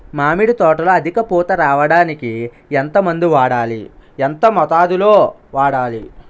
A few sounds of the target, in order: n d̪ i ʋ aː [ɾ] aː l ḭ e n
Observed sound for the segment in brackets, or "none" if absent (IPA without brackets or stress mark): ɽ